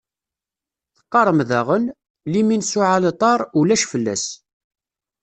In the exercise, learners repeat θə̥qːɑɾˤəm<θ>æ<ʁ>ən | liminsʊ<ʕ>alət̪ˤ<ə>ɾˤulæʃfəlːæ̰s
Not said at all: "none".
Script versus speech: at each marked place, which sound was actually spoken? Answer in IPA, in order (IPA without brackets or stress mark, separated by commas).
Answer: ð, ʁ, ʕ, ɑ